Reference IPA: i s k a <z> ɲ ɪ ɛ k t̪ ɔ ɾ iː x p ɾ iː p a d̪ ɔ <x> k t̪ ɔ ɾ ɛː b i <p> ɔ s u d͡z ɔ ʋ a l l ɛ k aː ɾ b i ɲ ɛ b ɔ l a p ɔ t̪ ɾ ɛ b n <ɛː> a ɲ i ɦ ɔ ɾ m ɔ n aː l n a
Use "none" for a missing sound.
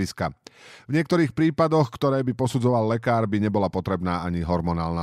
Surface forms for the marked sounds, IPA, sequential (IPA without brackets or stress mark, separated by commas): v, x, p, aː